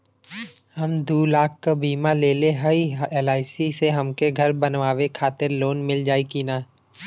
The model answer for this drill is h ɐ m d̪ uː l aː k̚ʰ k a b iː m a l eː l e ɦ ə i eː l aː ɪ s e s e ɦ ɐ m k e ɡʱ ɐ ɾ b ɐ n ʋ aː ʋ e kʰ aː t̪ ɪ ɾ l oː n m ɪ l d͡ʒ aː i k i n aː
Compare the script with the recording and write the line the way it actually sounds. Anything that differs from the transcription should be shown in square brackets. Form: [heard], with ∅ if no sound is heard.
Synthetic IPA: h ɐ m d̪ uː l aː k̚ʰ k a b iː m a l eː l e ɦ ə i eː l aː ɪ s [i] s e ɦ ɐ m k e ɡʱ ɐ ɾ b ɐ n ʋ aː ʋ e kʰ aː t̪ ɪ ɾ l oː n m ɪ l d͡ʒ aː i k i n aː

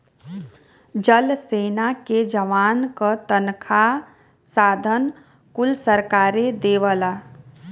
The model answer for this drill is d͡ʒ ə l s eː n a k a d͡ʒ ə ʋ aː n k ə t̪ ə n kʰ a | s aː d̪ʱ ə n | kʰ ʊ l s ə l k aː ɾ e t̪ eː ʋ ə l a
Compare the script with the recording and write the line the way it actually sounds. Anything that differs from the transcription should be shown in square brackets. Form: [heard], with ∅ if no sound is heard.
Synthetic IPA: d͡ʒ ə l s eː n a k [e] d͡ʒ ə ʋ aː n k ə t̪ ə n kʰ a | s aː d̪ʱ ə n | [k] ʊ l s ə [ɾ] k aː ɾ e [d̪] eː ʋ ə l a

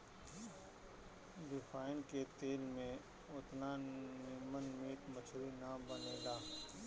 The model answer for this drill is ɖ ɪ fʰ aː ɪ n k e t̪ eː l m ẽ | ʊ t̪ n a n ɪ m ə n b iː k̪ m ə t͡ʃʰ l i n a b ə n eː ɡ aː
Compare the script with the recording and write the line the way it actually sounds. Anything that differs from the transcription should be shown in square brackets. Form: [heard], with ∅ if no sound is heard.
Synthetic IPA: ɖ ɪ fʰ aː ɪ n k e t̪ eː l m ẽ | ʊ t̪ n a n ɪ m ə n [m] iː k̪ m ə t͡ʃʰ [ɾ] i n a b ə n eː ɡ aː

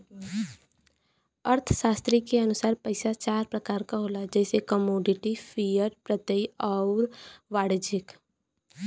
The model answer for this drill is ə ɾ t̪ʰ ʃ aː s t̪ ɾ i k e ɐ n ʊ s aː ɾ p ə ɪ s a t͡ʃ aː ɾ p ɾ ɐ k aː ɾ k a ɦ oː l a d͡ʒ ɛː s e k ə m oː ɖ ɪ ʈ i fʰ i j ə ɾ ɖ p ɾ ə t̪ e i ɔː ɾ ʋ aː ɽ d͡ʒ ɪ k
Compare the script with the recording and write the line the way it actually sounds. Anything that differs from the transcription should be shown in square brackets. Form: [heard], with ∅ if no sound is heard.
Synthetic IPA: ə ɾ t̪ʰ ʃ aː s t̪ ɾ i k e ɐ n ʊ s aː ɾ p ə ɪ s a t͡ʃ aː ɾ p ɾ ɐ k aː ɾ k a ɦ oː l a d͡ʒ ɛː s e k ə m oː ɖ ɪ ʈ i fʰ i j ə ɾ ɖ p ɾ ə t̪ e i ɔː ɾ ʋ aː ɽ d͡ʒ ɪ k

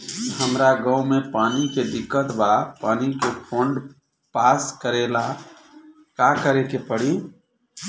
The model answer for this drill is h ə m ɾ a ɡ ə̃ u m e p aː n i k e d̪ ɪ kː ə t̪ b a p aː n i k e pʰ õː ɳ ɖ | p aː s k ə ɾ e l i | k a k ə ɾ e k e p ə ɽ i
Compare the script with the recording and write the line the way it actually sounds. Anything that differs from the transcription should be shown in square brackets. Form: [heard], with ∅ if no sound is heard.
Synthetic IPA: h ə m ɾ a ɡ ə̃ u m e p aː n i k e d̪ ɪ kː ə t̪ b a p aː n i k e pʰ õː ɳ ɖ | p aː s k ə ɾ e l [a] | k a k ə ɾ e k e p ə ɽ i

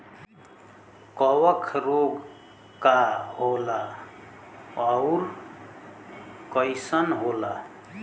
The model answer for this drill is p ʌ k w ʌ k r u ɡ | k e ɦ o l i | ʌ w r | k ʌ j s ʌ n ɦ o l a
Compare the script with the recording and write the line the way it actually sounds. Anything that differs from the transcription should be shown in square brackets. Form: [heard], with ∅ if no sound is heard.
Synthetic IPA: [k] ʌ [∅] w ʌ [kʰ] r [o] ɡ | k [a] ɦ o l [a] | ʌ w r | k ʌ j s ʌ n ɦ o l a

